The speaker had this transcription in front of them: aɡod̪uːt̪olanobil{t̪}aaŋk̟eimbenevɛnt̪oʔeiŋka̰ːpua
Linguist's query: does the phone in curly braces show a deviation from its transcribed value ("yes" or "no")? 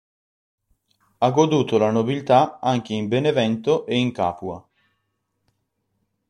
no